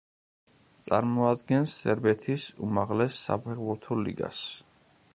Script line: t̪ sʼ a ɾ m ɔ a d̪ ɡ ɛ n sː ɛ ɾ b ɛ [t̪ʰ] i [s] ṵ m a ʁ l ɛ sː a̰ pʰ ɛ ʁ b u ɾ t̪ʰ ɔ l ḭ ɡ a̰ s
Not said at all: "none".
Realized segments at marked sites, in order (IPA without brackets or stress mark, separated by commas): t̪ʰ, s